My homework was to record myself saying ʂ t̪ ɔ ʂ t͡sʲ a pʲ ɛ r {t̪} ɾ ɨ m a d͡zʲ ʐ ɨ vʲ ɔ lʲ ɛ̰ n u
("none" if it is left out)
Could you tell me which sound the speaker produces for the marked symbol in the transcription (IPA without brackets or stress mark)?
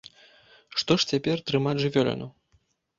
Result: t̪